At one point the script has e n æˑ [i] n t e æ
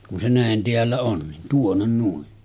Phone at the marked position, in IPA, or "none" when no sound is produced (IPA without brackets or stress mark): e